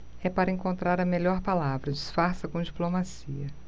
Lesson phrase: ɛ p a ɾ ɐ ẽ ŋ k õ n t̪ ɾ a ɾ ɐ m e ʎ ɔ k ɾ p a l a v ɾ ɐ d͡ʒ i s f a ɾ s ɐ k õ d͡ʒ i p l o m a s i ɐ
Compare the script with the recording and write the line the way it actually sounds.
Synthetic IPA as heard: ɛ p a ɾ ɐ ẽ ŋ k õ n t̪ ɾ a ɾ ɐ m e ʎ ɔ ɾ p a l a v ɾ ɐ d͡ʒ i s f a ɾ s ɐ k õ d͡ʒ i p l o m a s i ɐ